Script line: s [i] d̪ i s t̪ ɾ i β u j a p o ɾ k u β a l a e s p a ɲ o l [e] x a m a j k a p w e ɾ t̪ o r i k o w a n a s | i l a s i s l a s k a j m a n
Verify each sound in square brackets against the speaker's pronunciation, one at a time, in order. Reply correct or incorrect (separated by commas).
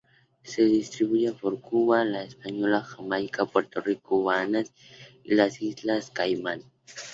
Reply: incorrect, incorrect